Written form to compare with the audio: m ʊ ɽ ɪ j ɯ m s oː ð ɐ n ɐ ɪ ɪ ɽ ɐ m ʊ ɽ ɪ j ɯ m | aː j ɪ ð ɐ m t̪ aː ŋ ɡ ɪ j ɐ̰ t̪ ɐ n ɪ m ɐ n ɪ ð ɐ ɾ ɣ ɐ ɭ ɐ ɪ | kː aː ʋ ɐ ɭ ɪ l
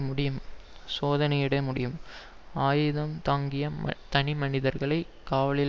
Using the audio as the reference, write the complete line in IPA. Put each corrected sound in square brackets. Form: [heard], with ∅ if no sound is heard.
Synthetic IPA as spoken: m ʊ ɽ ɪ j ɯ m s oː ð ɐ n ɐ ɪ ɪ ɽ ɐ m ʊ ɽ ɪ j ɯ m | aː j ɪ ð ɐ m t̪ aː ŋ ɡ ɪ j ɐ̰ t̪ ɐ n ɪ m ɐ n ɪ ð ɐ ɾ ɣ ɐ ɭ ɐ ɪ | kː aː ʋ ɐ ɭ ɪ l